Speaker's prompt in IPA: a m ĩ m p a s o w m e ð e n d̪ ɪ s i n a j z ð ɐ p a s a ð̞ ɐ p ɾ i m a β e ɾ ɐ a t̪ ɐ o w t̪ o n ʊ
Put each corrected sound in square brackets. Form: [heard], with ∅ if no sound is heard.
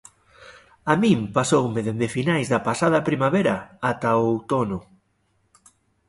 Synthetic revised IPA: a m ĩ m p a s o w m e ð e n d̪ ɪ [f] i n a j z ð ɐ p a s a ð̞ ɐ p ɾ i m a β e ɾ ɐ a t̪ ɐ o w t̪ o n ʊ